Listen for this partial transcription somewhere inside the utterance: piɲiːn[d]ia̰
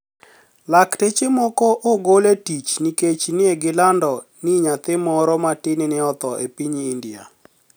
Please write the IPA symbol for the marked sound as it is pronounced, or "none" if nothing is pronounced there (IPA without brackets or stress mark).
d